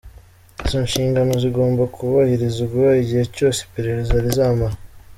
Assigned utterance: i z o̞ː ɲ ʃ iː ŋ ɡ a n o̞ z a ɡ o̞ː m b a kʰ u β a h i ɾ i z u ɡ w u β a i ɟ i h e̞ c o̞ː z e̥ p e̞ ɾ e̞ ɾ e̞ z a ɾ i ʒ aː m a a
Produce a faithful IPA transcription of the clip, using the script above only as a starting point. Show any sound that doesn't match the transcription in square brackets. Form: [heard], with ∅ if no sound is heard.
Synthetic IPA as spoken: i z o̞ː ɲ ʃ iː ŋ ɡ a n o̞ z [i] ɡ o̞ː m b a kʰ u β a h i ɾ i z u ɡ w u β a i ɟ i h e̞ c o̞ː [s] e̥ p e̞ ɾ e̞ ɾ e̞ z a ɾ i [z] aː m a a